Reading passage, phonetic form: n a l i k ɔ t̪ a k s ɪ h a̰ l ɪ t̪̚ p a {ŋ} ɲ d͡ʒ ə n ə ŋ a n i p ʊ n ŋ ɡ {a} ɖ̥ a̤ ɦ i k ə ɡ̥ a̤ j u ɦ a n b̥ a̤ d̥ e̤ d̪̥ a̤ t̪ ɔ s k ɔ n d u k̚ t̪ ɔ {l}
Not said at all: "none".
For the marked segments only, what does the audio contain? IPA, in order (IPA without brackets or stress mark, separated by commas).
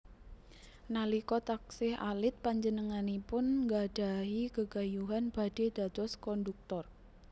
none, a, r